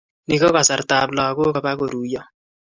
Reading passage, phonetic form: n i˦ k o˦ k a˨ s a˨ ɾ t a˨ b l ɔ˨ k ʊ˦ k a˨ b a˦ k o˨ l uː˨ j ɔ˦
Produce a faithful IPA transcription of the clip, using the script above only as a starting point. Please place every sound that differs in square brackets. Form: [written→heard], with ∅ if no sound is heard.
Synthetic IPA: n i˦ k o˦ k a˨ s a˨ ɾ t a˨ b l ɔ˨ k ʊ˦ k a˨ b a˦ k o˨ [l→ɾ] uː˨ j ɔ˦